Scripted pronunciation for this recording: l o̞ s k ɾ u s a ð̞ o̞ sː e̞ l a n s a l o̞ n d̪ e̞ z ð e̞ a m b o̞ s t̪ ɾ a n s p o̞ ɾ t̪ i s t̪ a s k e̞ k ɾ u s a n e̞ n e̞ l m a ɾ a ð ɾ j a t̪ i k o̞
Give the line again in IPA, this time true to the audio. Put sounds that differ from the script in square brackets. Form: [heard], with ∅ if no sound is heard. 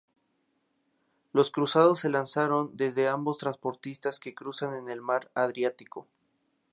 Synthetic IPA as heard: l o̞ s k ɾ u s a ð̞ o̞ sː e̞ l a n s a [ɾ] o̞ n d̪ e̞ z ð e̞ a m b o̞ s t̪ ɾ a n s p o̞ ɾ t̪ i s t̪ a s k e̞ k ɾ u s a n e̞ n e̞ l m a ɾ a ð ɾ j a t̪ i k o̞